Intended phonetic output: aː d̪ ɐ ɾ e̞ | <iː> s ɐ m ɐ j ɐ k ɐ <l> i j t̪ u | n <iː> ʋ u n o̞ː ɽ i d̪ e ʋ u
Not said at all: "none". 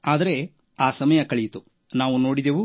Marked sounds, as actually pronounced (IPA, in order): aː, ɭ, aː

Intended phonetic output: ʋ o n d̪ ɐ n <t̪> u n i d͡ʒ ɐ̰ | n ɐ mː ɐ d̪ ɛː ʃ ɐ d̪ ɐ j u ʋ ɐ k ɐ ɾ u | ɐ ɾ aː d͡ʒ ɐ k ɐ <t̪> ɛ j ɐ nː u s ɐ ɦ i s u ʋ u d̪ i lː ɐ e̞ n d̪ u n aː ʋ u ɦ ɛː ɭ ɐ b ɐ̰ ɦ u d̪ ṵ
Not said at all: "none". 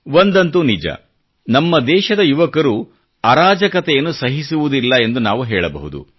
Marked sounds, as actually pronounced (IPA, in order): t̪, t̪

